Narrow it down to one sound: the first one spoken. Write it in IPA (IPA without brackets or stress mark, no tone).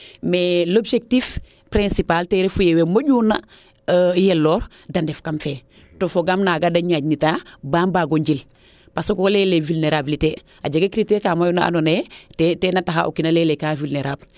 m